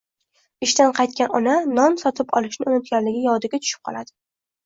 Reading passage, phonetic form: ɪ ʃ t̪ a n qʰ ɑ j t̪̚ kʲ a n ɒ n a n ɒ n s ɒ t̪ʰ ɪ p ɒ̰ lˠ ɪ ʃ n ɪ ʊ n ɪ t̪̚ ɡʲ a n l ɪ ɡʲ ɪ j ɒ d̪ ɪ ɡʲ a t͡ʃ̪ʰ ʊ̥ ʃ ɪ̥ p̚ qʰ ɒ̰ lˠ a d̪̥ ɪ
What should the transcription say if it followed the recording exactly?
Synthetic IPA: ɪ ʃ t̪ a n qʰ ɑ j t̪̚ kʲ a n ɒ n a n ɒ n s ɒ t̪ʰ ɪ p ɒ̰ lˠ ɪ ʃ n ɪ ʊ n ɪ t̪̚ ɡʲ a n l ɪ ɡʲ ɪ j ɒ d̪ ɪ ɡʲ a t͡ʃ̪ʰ ʊ̥ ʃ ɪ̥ p̚ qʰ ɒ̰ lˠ a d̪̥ ɪ